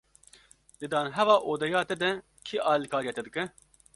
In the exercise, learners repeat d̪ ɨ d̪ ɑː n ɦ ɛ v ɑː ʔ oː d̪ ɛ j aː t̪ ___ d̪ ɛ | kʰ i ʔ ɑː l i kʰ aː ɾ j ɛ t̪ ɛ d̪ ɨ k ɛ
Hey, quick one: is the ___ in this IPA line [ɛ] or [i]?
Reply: ɛ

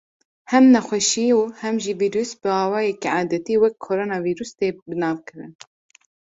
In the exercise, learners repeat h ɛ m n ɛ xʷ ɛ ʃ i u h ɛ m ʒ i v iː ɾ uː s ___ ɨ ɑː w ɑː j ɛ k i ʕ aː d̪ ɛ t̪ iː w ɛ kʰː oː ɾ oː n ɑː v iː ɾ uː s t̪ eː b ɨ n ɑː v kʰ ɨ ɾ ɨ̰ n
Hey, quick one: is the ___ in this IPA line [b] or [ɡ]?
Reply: b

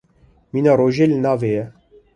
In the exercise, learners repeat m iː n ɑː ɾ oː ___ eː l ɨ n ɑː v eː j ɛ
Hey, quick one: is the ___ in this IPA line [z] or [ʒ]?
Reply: ʒ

